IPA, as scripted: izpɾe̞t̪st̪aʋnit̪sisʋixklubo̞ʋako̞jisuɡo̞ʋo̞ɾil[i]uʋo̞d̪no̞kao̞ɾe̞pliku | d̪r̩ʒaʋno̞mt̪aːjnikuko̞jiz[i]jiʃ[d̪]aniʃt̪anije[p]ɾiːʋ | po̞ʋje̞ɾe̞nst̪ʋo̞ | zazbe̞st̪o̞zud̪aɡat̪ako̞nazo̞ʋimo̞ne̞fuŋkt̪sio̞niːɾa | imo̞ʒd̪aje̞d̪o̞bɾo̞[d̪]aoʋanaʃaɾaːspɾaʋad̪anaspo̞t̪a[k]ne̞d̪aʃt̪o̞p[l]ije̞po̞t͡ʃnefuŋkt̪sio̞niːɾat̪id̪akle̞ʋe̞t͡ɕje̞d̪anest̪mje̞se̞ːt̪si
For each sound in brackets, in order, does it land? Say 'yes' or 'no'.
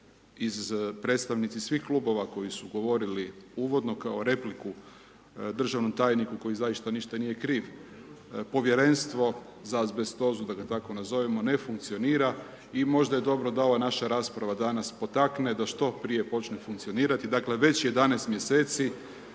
yes, no, no, no, yes, yes, no

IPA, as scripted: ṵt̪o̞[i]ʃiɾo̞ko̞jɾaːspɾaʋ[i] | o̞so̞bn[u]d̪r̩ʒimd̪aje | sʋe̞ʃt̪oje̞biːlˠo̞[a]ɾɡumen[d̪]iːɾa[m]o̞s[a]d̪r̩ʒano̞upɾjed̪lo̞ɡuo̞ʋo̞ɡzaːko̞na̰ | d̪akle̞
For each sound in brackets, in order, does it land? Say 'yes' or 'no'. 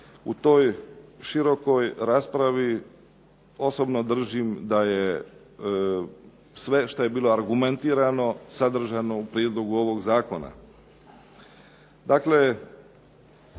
no, yes, no, yes, no, no, yes

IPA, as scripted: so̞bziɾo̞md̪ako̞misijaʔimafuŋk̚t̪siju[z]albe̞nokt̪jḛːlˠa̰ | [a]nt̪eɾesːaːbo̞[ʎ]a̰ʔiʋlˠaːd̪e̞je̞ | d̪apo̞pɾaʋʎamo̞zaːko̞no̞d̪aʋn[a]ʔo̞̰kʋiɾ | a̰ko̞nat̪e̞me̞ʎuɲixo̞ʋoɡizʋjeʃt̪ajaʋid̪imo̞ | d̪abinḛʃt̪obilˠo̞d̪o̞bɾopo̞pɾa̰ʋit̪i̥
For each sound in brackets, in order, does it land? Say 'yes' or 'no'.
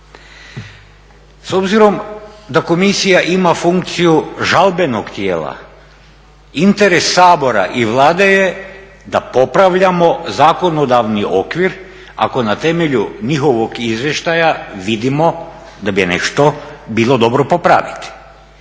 no, no, no, no

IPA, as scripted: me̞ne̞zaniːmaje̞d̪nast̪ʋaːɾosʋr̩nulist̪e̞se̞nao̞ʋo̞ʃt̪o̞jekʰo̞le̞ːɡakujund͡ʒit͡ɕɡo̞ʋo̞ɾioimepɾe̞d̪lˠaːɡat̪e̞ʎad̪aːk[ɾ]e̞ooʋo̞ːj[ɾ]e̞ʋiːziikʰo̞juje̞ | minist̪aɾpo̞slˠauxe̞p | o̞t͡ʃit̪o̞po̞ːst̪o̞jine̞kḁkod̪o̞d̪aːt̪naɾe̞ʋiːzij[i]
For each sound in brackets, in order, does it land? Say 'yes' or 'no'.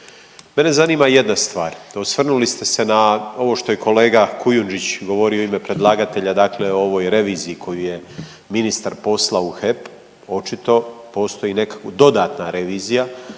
no, yes, no

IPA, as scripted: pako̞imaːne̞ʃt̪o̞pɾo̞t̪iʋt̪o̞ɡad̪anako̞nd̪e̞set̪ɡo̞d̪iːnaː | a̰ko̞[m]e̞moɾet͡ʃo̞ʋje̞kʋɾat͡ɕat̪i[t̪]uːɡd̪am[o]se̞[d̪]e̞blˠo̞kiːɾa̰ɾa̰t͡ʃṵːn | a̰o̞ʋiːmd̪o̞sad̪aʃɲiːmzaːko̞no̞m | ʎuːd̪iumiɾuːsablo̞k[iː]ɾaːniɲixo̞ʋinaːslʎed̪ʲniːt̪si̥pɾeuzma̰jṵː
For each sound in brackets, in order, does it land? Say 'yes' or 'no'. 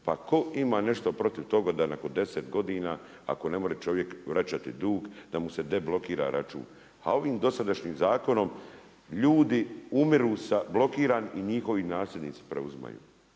no, no, no, yes, yes

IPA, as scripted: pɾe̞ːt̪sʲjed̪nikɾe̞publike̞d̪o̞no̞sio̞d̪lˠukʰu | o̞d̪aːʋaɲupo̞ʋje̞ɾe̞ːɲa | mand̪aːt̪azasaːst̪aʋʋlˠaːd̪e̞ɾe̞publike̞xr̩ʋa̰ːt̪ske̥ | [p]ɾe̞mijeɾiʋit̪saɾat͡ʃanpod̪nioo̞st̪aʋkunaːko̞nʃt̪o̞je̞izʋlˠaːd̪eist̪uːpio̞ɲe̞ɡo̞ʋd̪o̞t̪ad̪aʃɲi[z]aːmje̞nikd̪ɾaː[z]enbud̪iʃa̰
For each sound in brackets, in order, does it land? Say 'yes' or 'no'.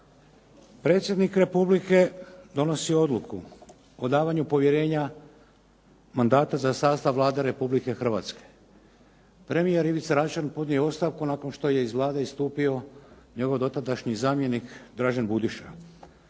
yes, yes, no

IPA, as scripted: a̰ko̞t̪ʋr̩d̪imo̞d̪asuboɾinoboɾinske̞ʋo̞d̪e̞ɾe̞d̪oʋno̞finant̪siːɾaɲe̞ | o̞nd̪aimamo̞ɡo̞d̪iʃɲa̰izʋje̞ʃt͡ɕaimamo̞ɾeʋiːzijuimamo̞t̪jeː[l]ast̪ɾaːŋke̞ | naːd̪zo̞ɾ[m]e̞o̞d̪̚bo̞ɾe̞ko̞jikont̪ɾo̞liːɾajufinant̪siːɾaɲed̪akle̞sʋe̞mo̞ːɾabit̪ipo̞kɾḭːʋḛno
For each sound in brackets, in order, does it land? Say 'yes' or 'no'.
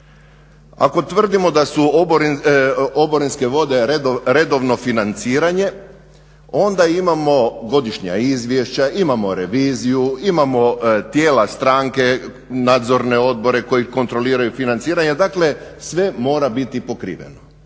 yes, no

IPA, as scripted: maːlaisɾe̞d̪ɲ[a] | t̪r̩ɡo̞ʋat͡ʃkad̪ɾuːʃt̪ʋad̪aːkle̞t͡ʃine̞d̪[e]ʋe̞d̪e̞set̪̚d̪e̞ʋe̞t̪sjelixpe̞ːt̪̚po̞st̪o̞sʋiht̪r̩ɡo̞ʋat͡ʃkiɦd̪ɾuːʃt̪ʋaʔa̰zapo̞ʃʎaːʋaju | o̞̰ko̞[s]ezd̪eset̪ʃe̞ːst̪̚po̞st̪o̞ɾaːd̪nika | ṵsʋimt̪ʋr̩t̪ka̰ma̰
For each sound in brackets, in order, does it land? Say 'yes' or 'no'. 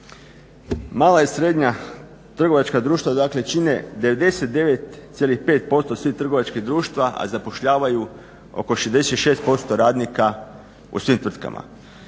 yes, yes, no

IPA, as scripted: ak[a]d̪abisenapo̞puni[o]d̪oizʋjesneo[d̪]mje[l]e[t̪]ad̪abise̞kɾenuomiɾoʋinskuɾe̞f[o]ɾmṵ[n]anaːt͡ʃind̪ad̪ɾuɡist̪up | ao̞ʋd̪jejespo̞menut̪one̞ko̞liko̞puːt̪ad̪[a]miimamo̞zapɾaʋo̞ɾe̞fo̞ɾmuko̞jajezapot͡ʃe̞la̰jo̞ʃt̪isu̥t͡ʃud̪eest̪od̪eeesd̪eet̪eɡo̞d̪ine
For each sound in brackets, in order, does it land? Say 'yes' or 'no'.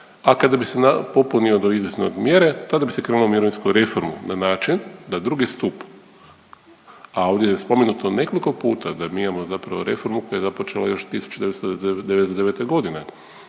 yes, yes, yes, no, yes, yes, yes, yes

